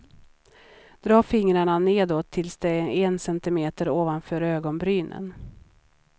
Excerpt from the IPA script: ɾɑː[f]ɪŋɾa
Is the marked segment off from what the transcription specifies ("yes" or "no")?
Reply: no